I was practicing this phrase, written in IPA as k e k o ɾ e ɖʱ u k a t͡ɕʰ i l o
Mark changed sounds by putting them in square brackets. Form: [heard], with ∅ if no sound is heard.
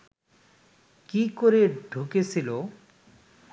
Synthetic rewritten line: k [i] k o ɾ e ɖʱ u k [e] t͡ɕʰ i l o